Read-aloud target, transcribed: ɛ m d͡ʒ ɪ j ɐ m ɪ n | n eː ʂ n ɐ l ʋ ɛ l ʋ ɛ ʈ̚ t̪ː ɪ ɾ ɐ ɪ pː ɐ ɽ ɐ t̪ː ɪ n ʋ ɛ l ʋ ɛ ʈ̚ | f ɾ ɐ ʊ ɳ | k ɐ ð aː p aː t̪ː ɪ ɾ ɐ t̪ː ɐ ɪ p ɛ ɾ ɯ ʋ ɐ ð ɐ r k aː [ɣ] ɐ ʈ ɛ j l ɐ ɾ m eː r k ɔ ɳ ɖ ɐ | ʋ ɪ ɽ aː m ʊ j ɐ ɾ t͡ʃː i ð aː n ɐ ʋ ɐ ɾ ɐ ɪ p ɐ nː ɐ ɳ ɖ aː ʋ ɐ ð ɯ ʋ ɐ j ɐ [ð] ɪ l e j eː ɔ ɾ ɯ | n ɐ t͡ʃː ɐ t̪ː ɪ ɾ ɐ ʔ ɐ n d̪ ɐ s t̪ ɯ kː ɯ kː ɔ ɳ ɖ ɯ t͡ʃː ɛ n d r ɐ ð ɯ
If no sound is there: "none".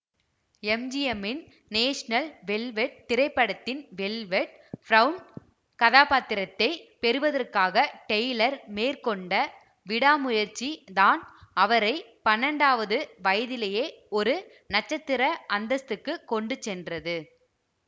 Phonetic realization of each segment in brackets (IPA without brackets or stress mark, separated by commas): ɣ, ð